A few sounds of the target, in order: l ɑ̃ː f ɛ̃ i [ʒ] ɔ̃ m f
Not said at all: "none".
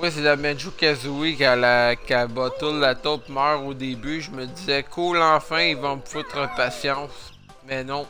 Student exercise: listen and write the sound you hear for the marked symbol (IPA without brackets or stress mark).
v